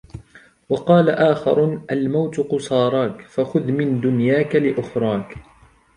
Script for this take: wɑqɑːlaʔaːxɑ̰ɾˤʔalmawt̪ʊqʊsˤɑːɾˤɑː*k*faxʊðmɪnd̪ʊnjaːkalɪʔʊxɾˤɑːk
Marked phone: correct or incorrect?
correct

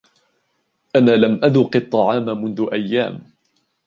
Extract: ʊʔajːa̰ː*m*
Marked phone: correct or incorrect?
correct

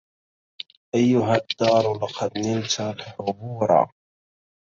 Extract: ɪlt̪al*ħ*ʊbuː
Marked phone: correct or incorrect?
correct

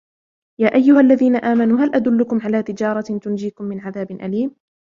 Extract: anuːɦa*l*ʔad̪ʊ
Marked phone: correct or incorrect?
correct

